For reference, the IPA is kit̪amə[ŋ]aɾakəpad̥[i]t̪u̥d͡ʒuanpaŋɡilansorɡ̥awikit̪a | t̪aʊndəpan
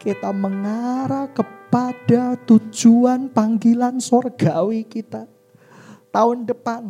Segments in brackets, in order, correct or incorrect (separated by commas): correct, incorrect